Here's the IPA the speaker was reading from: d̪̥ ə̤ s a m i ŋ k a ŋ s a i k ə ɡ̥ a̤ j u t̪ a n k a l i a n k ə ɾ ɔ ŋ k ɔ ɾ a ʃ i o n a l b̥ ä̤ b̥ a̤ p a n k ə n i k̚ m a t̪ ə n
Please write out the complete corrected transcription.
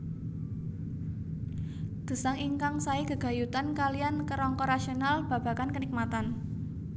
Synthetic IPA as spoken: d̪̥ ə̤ s a ŋ i ŋ k a ŋ s a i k ə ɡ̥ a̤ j u t̪ a n k a l i a n k ə ɾ ɔ ŋ k ɔ ɾ a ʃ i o n a l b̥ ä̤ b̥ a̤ k a n k ə n i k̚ m a t̪ a n